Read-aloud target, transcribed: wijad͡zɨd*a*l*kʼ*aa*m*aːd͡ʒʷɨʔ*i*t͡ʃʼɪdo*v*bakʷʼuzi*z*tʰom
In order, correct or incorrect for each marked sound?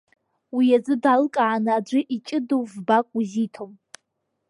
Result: correct, correct, incorrect: n, correct, correct, incorrect: none

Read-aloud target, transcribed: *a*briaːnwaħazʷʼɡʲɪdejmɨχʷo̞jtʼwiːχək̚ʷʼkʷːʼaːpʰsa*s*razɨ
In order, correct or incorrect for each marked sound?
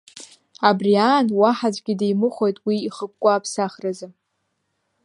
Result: correct, incorrect: χ

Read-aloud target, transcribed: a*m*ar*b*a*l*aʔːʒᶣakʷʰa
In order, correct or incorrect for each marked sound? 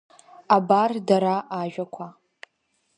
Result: incorrect: b, incorrect: d, incorrect: ɾ

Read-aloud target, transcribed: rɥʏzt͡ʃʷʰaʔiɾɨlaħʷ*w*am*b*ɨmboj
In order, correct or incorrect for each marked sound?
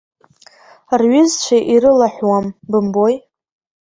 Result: correct, correct

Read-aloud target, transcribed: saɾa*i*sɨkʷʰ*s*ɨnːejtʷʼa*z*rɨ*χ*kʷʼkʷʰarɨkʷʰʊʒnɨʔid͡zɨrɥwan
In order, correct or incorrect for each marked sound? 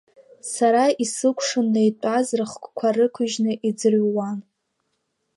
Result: correct, incorrect: ʂ, correct, correct

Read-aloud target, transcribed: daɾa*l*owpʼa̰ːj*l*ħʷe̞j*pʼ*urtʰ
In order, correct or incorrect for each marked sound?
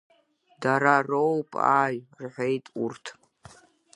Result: incorrect: r, incorrect: r, incorrect: tʼ

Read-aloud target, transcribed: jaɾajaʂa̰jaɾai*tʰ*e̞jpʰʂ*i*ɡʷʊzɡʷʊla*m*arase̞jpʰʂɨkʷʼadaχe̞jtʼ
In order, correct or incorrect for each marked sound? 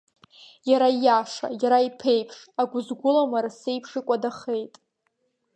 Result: incorrect: pʰ, incorrect: a, correct

